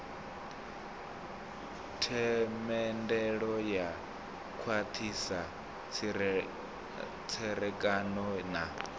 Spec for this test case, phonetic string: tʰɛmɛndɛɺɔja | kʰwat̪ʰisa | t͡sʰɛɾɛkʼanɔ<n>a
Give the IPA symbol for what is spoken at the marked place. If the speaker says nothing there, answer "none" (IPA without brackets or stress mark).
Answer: n